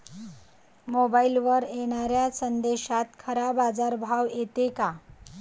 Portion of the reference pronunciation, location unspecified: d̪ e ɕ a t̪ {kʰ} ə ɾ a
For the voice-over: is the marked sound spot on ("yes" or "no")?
yes